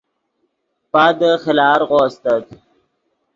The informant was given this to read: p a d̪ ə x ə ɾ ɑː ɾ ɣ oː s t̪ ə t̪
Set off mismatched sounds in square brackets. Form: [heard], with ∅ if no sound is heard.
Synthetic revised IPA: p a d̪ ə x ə [l] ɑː ɾ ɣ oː s t̪ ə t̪